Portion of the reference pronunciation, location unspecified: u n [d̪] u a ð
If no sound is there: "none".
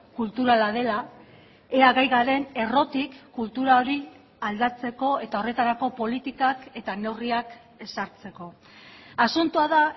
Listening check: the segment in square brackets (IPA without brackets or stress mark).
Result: t̪